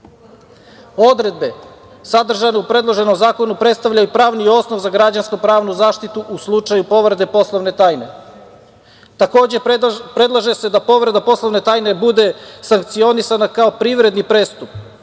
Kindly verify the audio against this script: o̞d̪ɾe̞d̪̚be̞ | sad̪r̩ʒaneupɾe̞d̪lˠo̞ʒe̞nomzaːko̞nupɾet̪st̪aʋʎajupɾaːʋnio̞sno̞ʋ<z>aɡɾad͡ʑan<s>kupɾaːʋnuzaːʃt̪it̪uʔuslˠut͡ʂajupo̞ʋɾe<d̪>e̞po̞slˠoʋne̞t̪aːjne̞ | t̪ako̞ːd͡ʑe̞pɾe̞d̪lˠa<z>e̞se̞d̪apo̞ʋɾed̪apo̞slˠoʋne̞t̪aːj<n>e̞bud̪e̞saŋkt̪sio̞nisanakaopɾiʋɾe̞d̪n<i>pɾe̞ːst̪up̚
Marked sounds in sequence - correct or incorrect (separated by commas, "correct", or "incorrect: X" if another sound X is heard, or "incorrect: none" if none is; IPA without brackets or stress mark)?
correct, correct, correct, incorrect: ʒ, correct, correct